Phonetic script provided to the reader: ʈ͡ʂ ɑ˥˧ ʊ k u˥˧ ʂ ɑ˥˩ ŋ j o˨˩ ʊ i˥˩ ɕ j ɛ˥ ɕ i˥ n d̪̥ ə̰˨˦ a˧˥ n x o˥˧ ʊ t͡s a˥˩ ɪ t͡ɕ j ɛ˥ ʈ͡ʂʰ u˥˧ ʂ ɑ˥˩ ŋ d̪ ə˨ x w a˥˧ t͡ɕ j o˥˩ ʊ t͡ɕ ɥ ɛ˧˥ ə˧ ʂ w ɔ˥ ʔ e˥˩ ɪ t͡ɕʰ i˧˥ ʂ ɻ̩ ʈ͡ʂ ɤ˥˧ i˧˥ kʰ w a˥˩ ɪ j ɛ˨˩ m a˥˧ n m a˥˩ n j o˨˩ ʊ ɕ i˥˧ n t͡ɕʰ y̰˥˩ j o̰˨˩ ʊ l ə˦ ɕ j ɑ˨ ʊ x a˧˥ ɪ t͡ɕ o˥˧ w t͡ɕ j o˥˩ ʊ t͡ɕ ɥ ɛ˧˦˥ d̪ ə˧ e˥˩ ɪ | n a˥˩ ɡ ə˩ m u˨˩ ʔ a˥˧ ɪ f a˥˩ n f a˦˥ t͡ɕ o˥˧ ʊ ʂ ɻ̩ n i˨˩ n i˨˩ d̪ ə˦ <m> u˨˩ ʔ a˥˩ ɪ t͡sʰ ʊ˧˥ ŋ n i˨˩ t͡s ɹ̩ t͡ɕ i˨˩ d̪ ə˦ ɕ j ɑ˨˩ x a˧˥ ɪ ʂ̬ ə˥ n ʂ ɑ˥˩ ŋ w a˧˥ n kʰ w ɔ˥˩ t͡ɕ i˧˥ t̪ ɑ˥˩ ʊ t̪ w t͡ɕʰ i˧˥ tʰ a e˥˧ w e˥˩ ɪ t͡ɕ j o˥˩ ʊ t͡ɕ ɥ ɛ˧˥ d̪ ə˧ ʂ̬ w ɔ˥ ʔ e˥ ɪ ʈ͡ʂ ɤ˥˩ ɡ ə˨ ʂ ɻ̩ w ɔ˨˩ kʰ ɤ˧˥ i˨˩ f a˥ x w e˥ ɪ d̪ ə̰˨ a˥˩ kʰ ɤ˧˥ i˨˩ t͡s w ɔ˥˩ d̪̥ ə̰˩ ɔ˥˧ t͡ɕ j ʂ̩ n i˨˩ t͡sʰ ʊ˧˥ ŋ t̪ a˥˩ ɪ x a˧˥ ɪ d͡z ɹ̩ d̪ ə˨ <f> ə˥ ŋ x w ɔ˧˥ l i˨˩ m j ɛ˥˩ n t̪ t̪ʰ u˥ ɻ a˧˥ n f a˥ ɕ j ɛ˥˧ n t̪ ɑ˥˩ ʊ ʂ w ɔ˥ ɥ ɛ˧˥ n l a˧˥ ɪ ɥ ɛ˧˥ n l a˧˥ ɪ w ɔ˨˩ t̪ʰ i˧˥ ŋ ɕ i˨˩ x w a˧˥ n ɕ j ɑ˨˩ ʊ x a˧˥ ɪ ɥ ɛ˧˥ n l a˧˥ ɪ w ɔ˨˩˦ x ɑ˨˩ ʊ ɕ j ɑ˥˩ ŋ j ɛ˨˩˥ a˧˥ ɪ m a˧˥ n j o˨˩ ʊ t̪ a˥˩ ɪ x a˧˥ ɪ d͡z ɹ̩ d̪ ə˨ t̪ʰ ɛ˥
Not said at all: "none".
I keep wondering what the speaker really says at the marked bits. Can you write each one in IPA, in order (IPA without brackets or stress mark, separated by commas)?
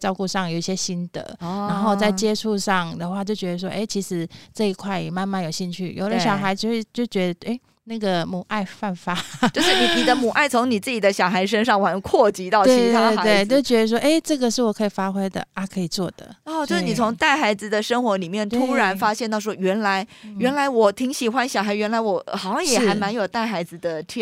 m, ʂ